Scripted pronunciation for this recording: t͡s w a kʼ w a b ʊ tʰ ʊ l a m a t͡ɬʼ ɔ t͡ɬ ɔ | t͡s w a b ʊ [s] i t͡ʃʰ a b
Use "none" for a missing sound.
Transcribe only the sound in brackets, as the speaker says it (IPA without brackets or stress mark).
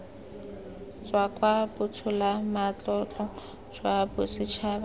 s